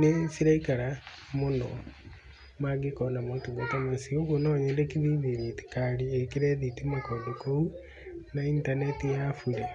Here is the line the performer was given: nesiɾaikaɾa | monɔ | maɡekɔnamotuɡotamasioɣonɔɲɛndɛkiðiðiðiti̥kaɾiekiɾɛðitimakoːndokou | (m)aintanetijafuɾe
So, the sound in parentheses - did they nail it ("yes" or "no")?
no